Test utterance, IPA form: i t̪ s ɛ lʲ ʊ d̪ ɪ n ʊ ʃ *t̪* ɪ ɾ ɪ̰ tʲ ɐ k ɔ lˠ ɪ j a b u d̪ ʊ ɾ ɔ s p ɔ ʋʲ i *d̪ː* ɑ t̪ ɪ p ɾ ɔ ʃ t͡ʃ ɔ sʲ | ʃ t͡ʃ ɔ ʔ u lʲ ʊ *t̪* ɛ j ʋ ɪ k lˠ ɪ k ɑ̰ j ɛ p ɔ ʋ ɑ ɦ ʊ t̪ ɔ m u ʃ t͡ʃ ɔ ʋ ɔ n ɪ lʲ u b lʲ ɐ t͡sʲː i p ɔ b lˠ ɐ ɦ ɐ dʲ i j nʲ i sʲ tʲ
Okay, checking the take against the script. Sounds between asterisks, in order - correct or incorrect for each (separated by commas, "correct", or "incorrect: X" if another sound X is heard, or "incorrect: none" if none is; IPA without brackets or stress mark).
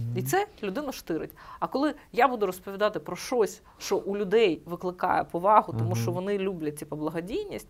correct, incorrect: d̪, incorrect: d̪